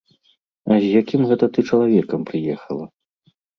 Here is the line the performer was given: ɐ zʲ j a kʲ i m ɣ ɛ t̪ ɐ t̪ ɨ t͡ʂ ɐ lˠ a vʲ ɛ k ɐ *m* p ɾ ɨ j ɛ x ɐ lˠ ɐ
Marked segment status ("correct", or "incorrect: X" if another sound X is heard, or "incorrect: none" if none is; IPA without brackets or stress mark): correct